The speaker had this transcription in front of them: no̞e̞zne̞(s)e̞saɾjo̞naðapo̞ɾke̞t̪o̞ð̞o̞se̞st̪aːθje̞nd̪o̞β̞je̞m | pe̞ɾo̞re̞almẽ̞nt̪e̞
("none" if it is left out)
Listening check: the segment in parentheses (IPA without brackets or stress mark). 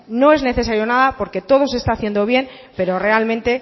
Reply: θ